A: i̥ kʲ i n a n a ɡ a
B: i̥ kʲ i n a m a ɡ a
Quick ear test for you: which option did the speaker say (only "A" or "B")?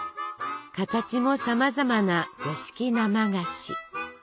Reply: B